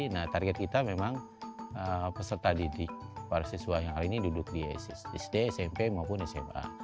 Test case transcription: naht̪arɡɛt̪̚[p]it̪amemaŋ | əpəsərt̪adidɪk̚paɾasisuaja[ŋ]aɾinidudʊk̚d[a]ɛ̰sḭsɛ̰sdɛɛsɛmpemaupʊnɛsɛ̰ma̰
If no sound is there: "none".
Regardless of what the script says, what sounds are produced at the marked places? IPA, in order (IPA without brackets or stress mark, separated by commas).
k, ŋ, i